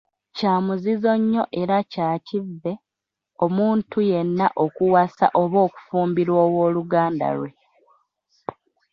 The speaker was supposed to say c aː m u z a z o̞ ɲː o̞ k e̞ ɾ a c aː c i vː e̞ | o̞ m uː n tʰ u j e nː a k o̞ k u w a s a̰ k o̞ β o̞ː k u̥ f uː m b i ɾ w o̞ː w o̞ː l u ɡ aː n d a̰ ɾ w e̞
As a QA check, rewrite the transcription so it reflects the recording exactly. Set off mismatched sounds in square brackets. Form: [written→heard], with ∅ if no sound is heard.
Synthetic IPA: c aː m u z [a→i] z o̞ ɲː o̞ [k→ʔ] e̞ ɾ a c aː c i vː e̞ | o̞ m uː n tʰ u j e nː a [k→ʔ] o̞ k u w a s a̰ [k→ʔ] o̞ β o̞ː k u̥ f uː m b i ɾ w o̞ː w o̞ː l u ɡ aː n d a̰ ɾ w e̞